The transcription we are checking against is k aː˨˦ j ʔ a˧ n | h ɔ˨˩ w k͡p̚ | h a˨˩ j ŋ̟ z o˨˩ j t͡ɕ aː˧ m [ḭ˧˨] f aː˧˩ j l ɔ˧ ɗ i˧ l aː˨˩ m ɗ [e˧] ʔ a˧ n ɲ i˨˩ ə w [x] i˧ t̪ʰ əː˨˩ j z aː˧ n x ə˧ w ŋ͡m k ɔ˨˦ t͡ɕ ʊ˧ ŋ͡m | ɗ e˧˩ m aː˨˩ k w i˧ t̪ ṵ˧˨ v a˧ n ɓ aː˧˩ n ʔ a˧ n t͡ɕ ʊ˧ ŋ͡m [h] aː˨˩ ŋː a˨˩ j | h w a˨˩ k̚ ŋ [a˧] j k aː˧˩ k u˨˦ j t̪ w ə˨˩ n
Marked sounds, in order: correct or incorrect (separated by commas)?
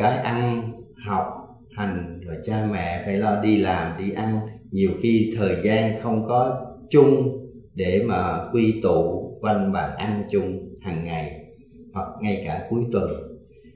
incorrect, incorrect, correct, correct, correct